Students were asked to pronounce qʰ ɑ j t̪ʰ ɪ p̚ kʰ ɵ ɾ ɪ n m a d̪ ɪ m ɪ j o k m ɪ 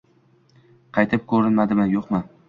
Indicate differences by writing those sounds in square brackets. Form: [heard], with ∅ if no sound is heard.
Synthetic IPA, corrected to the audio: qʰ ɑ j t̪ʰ ɪ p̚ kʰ ɵ ɾ ɪ n m a d̪ ɪ m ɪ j o [q] m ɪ